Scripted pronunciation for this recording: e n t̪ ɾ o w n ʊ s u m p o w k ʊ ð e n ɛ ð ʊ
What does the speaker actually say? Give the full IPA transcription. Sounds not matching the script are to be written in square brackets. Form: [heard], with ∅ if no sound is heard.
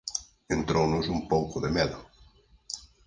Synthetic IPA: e n t̪ ɾ o w n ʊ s u m p o w k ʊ ð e [m] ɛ ð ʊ